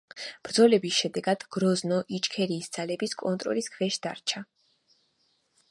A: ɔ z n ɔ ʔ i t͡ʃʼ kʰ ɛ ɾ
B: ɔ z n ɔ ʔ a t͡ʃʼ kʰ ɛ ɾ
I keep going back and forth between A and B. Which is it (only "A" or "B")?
A